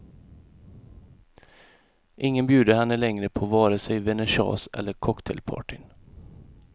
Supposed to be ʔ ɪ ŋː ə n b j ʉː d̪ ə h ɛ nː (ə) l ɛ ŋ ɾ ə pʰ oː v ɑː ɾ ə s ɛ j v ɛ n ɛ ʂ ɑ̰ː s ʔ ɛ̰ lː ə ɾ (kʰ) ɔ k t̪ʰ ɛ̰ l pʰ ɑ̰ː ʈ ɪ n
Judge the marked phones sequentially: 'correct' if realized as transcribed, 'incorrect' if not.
correct, correct

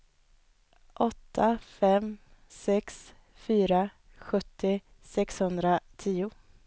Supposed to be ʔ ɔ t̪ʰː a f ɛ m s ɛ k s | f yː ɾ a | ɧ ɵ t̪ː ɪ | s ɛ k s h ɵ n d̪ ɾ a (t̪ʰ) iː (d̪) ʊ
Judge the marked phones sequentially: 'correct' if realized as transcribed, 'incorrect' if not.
correct, incorrect

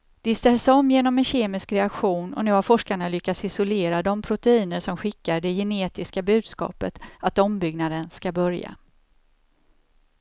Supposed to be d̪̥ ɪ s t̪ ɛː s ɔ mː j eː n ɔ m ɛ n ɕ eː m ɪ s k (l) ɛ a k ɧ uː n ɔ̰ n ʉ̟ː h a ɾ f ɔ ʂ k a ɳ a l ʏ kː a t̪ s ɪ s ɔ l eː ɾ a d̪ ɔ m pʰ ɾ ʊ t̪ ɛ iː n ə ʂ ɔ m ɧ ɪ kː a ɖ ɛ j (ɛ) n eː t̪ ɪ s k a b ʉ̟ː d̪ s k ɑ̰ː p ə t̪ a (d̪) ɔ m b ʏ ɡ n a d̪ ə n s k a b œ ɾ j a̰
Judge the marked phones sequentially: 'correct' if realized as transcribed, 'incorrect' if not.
incorrect, correct, incorrect

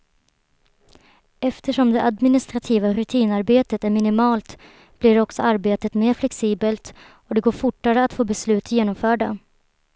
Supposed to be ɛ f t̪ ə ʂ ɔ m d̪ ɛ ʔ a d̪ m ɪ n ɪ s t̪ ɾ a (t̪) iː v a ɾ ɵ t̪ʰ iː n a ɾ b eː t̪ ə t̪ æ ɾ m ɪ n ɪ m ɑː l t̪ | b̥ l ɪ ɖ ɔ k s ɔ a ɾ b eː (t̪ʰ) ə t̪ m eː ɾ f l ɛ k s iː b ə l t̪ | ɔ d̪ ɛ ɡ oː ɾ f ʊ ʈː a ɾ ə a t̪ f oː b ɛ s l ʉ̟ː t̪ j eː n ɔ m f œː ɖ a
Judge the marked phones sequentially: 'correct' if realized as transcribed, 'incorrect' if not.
incorrect, incorrect

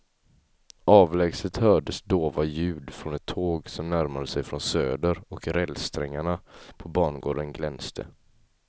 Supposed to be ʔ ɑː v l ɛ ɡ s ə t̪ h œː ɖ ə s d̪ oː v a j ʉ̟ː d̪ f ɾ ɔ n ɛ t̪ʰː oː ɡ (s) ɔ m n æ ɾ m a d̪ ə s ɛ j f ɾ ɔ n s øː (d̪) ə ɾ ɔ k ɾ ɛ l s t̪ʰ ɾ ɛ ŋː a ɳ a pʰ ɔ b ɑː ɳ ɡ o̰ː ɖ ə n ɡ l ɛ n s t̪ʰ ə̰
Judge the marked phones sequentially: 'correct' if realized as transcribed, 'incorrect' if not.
correct, correct

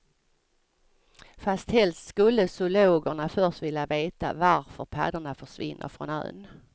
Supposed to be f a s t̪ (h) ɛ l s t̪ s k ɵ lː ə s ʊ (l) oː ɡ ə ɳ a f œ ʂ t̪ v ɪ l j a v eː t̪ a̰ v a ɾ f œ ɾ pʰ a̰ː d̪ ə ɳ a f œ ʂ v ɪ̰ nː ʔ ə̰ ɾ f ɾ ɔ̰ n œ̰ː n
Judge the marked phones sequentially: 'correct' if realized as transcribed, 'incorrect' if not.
correct, correct

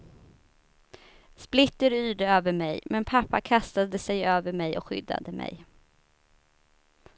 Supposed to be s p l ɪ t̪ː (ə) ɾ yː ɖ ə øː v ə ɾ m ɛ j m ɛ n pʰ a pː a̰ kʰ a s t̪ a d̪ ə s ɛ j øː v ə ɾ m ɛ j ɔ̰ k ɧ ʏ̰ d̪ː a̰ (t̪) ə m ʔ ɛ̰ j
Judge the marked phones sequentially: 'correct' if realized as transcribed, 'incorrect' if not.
correct, incorrect

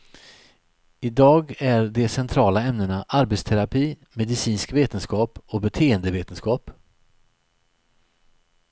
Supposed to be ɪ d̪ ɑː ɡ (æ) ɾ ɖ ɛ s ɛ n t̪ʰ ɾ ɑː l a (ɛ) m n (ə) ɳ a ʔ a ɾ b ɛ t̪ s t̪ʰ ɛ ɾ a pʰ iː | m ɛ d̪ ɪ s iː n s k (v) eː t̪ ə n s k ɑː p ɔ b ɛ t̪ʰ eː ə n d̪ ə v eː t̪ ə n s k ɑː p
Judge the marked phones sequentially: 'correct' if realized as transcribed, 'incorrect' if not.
correct, correct, correct, correct

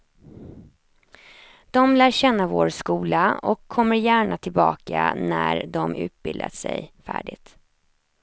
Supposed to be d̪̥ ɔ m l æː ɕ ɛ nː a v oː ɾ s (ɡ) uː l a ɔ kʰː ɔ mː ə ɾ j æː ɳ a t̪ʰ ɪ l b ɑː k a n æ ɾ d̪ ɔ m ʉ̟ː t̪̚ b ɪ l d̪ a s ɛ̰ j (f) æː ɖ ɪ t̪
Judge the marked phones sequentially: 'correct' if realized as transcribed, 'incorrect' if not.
incorrect, correct

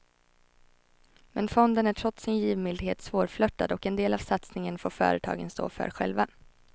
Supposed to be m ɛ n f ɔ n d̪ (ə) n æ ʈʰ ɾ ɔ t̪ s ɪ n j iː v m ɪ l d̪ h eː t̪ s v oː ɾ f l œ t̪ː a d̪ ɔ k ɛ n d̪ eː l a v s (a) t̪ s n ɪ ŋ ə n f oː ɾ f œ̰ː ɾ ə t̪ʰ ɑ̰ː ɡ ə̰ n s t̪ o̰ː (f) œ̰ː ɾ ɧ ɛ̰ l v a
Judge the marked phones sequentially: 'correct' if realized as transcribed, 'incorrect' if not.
correct, correct, correct

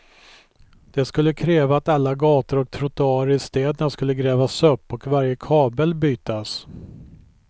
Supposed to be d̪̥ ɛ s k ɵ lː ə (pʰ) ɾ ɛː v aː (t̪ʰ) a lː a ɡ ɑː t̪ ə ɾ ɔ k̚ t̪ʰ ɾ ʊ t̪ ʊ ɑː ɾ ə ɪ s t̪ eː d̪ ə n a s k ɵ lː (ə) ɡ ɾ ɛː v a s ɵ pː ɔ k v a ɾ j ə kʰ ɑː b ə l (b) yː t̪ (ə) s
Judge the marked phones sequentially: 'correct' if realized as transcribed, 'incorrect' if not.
incorrect, incorrect, correct, correct, incorrect

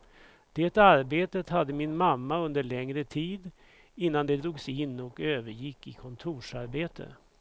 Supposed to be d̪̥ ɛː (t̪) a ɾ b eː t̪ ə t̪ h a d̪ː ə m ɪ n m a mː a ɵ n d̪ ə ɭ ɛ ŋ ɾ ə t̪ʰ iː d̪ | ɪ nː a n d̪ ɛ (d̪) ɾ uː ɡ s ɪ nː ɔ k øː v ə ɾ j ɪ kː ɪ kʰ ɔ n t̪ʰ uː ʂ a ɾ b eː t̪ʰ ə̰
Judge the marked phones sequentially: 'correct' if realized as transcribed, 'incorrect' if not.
correct, correct

